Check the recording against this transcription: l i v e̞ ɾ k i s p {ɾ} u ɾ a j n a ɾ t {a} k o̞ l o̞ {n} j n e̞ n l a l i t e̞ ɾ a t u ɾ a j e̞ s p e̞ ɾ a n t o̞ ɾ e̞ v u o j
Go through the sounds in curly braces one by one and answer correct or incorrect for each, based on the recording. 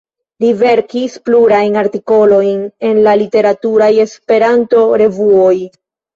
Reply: incorrect: l, incorrect: i, incorrect: none

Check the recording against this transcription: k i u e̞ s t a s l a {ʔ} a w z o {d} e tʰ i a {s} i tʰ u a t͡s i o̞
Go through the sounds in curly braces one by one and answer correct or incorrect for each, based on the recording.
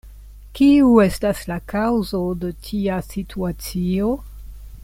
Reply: incorrect: k, correct, correct

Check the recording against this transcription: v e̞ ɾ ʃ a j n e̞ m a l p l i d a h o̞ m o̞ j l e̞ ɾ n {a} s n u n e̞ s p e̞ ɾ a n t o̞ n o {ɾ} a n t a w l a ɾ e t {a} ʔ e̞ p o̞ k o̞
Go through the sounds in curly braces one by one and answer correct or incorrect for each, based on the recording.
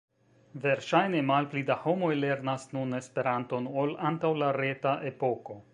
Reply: correct, incorrect: l, correct

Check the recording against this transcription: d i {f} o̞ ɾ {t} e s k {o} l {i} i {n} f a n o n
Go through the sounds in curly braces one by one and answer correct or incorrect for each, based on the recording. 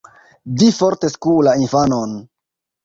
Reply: correct, correct, incorrect: u, incorrect: a, correct

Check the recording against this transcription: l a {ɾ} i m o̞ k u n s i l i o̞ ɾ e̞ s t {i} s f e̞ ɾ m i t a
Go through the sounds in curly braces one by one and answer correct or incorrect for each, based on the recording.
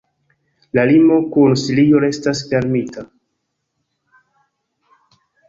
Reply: incorrect: l, incorrect: a

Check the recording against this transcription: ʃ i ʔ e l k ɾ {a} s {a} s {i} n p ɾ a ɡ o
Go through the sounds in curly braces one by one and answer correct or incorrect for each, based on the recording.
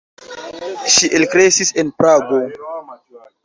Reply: incorrect: e, incorrect: i, incorrect: e

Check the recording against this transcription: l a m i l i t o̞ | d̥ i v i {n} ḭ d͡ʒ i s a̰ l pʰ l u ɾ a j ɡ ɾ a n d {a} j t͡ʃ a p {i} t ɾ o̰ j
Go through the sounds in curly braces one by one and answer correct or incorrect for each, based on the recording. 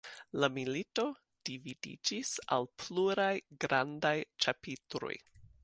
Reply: incorrect: d, correct, correct

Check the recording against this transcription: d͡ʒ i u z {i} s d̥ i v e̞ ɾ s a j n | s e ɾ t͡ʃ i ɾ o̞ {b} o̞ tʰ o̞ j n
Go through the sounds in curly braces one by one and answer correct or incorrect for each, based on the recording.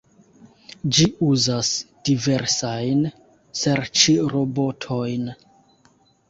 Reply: incorrect: a, correct

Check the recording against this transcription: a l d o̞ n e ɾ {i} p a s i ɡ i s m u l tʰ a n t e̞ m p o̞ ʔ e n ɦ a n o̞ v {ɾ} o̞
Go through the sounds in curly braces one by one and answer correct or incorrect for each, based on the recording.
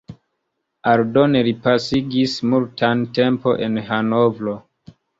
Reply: correct, incorrect: l

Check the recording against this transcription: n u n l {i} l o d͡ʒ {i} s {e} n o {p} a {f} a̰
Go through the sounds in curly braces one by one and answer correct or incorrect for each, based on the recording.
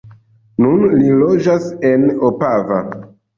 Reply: correct, incorrect: a, correct, correct, incorrect: v

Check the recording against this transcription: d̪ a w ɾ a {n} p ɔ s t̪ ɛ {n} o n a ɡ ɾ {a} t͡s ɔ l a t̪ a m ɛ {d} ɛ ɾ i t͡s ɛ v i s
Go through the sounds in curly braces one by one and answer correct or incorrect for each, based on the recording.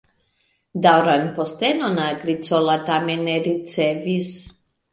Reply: correct, correct, incorrect: i, incorrect: n

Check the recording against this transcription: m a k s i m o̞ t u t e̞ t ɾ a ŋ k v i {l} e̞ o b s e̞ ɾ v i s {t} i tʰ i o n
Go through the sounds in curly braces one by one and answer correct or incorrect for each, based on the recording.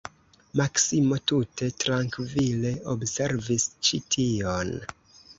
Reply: correct, incorrect: t͡ʃ

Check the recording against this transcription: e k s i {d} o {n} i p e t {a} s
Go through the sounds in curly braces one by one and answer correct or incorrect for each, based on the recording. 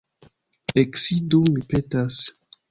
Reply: correct, incorrect: m, correct

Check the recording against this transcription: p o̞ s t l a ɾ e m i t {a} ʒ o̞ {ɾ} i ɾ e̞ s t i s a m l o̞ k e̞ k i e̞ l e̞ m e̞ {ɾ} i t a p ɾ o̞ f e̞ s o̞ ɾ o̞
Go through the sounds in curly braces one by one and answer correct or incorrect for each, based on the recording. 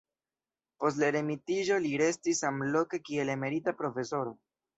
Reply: incorrect: i, incorrect: l, correct

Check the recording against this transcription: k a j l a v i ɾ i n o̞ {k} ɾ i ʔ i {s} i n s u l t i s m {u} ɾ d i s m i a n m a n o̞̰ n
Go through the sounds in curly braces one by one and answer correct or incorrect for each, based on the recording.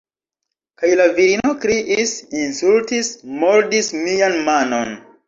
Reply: correct, correct, incorrect: o

